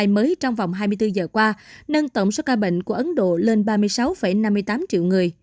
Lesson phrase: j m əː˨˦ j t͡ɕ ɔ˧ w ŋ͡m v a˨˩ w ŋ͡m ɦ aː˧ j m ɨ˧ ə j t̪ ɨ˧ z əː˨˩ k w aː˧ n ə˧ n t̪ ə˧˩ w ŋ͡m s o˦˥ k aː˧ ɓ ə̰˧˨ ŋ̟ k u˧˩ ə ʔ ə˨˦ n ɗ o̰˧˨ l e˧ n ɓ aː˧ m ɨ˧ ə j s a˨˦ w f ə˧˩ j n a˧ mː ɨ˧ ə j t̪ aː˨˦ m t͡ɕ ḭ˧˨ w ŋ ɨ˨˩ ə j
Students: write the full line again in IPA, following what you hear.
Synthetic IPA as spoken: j m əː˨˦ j t͡ɕ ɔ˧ w ŋ͡m v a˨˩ w ŋ͡m ɦ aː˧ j m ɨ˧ ə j t̪ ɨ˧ z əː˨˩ k w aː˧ n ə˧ n t̪ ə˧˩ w ŋ͡m s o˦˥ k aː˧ ɓ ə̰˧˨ ŋ̟ k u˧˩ ə ʔ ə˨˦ n ɗ o̰˧˨ l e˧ n ɓ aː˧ m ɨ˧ ə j s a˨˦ w f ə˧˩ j n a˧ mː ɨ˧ ə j t̪ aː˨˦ m t͡ɕ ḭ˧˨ w ŋ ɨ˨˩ ə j